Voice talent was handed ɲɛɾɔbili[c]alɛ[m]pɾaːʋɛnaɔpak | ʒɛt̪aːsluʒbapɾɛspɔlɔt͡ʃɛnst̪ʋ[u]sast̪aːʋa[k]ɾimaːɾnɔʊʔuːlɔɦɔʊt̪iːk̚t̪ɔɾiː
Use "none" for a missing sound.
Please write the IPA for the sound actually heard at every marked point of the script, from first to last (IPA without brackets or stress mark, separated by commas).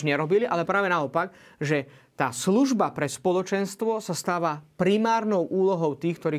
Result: ʔ, none, ɔ, p